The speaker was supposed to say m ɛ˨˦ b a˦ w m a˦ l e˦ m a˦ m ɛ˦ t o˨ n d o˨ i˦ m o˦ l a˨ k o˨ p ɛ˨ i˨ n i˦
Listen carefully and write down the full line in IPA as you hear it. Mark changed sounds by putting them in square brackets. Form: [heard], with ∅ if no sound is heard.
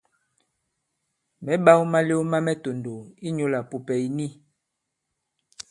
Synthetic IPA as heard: m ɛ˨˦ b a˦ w m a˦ l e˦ m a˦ m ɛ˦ t o˨ n d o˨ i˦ [ɲ] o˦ l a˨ [p] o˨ p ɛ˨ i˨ n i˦